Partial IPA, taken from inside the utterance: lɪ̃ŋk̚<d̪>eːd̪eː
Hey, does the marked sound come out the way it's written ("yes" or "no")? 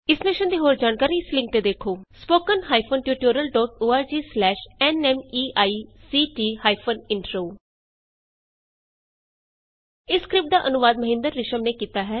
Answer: no